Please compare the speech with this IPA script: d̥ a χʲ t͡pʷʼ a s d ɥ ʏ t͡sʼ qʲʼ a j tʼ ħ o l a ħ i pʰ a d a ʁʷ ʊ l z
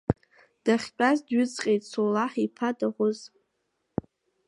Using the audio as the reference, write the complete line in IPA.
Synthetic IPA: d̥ a χʲ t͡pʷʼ a z d ɥ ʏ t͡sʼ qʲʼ e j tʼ s o l a ħ i pʰ a d a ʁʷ ʊ z

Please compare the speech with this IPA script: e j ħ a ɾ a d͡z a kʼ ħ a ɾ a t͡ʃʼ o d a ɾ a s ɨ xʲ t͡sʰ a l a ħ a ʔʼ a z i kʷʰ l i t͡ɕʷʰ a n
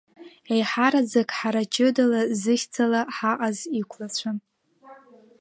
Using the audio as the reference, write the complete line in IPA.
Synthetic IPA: e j ħ a ɾ a d͡z a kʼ ħ a ɾ a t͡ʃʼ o d a l a z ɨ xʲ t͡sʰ a l a ħ a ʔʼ a z i kʷʰ l a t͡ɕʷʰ a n

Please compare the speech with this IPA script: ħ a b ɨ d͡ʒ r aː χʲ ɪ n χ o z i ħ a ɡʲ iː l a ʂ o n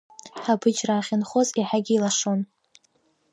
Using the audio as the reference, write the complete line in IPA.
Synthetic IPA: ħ a b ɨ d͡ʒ r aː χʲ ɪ n χ o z i ħ a ɡʲ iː l a ʂ o n

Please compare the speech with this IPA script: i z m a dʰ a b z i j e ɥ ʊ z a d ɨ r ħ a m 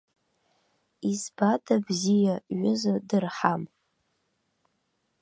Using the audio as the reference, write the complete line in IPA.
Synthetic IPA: i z b a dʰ a b z i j a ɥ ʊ z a d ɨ r ħ a m

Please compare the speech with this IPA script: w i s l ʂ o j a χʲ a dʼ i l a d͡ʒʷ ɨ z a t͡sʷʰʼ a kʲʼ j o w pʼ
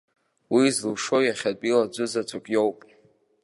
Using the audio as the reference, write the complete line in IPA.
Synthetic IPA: w i z l ʂ o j a χʲ a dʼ i l a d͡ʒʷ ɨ z a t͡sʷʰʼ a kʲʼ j o w pʼ

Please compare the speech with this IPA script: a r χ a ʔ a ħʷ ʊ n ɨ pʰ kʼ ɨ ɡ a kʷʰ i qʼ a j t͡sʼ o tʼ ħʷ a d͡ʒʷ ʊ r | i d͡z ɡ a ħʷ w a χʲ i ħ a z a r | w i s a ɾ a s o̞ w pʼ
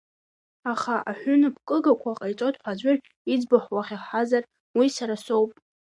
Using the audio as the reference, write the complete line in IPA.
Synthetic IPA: a χ a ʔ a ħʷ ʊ n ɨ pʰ kʼ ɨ ɡ a kʷʰ a qʼ a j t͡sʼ o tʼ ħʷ a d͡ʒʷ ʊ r | i d͡z b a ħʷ w a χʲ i ħ a z a r | w i s a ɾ a s o̞ w pʼ

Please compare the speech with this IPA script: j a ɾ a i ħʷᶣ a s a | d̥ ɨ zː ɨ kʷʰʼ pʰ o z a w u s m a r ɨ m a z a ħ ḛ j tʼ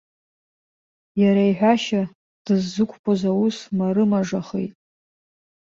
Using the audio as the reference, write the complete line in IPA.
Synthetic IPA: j a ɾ a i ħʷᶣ a ʃ a | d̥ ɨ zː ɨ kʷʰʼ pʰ o z a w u s m a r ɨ m a ʐ a χ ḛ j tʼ

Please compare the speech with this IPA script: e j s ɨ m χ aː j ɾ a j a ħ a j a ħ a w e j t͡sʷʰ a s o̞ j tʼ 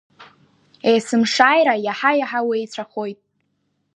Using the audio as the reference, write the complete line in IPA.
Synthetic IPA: e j s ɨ m ʂ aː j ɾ a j a ħ a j a ħ a w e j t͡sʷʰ a χ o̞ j tʼ

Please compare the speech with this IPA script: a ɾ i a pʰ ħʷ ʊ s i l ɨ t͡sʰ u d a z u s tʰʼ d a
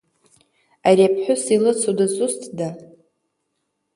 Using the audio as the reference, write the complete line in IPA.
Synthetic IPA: a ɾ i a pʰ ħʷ ʊ s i l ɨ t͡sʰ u d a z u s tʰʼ d a

